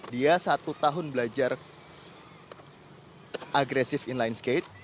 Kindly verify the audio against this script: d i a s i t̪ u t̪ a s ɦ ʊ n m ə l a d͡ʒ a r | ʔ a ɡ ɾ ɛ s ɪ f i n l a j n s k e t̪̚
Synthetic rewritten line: d i a s a t̪ u t̪ a ɦ ʊ n b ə l a d͡ʒ a r | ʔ a ɡ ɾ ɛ s ɪ f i n l a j n s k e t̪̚